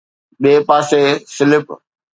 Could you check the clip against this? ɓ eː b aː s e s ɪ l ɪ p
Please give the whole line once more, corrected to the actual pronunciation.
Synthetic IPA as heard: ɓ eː p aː s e s ɪ l ɪ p